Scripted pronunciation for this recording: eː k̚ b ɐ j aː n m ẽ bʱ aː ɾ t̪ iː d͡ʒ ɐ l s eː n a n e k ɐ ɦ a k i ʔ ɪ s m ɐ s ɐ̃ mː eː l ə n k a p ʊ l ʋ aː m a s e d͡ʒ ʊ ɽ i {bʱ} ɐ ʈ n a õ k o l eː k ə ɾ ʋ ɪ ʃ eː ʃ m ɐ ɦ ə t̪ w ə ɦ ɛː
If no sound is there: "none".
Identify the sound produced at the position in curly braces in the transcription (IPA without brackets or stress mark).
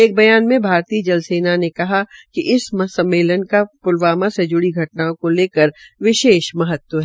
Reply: ɡʱ